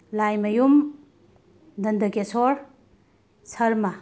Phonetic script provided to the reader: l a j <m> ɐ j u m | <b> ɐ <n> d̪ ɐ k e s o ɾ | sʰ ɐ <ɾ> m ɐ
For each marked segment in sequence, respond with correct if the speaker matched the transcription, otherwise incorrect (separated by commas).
correct, incorrect, correct, correct